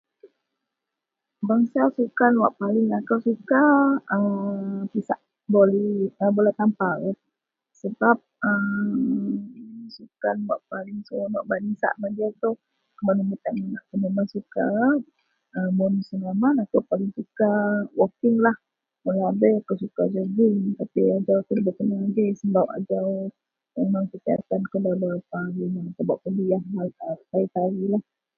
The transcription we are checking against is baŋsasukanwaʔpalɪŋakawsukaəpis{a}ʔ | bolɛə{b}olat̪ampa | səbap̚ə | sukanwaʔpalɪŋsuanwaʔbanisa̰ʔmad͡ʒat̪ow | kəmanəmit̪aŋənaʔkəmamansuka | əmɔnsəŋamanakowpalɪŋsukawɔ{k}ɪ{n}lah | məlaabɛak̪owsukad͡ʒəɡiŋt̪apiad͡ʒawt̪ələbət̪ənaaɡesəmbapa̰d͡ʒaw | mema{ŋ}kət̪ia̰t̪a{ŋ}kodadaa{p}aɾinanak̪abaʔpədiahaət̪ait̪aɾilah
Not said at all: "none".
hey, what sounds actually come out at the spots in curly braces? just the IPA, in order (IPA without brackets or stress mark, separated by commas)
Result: a, b, k, ŋ, ŋ, n, p